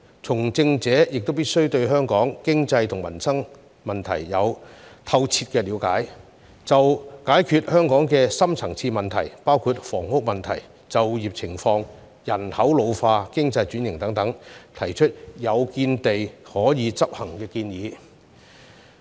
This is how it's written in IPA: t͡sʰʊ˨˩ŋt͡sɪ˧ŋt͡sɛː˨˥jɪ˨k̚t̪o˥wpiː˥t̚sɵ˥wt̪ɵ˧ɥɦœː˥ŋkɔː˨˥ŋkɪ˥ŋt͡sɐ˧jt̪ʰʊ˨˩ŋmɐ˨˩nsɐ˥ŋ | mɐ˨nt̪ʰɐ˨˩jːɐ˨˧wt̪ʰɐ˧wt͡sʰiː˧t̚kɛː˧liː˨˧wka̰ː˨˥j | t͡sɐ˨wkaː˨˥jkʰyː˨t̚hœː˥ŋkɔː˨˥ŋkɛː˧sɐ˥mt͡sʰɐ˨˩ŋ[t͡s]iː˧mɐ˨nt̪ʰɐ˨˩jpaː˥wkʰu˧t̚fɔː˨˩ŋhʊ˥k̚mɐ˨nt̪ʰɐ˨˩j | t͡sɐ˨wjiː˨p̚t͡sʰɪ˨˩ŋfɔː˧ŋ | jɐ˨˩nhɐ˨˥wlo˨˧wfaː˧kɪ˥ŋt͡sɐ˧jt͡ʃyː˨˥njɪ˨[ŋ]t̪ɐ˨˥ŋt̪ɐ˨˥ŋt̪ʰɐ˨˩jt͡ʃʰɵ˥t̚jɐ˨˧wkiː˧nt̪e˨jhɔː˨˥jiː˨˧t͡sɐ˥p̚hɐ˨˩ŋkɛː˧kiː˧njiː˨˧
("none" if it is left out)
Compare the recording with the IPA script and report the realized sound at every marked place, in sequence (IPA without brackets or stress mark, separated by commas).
t͡sʰ, ŋ